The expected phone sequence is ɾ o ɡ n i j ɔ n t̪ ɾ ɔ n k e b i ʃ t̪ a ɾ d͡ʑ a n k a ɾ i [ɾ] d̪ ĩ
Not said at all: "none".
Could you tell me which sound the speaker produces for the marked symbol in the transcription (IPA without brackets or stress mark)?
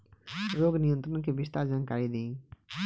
none